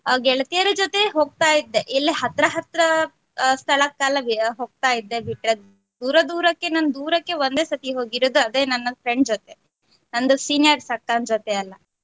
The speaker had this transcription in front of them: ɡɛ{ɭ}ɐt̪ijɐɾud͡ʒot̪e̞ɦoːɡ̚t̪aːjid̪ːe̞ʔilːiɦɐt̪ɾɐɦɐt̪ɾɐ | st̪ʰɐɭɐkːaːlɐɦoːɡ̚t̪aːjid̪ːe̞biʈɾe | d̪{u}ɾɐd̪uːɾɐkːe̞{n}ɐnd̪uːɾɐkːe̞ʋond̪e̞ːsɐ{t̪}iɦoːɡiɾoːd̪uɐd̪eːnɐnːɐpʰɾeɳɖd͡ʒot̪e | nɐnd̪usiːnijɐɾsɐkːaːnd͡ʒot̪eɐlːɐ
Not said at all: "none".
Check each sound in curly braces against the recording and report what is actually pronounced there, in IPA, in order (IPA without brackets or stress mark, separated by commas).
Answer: ɭ, uː, n, t̪